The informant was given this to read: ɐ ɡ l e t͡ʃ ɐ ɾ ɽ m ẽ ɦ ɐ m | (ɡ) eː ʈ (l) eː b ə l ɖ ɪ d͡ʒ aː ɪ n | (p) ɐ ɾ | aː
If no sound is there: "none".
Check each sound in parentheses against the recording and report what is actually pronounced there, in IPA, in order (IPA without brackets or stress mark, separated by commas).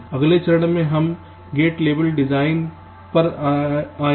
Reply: ɡ, l, p